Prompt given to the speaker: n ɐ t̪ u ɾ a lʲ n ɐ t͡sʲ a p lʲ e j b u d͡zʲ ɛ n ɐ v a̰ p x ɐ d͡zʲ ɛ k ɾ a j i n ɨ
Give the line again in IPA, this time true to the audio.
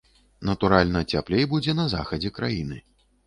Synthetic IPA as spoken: n ɐ t̪ u ɾ a lʲ n ɐ t͡sʲ a p lʲ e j b u d͡zʲ ɛ n ɐ z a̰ x ɐ d͡zʲ ɛ k ɾ a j i n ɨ